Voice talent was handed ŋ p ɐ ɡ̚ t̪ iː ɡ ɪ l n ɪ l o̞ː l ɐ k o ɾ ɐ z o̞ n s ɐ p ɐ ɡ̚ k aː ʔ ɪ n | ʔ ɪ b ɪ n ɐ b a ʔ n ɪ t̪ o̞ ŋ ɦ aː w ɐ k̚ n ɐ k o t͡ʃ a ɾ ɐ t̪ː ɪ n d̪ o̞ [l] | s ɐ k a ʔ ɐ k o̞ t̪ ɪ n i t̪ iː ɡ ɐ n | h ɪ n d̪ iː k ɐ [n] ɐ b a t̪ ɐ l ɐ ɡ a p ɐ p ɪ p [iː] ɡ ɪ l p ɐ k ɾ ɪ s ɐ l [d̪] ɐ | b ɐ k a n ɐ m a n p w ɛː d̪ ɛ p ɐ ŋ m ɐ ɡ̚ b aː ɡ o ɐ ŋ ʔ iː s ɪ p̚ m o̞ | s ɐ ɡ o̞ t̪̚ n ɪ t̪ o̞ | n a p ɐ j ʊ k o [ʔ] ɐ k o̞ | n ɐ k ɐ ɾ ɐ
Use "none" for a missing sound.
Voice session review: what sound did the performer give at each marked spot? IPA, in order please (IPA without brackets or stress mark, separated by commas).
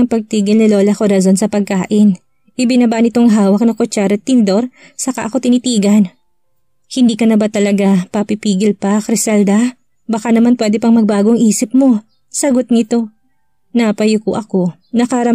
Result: ɾ, n, iː, d̪, ʔ